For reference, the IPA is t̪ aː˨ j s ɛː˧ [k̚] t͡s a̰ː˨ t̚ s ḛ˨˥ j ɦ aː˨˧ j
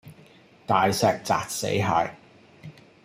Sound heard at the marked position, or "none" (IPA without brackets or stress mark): k̚